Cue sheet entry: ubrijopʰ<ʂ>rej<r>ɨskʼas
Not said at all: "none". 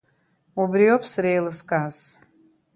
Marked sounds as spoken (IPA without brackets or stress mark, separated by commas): s, l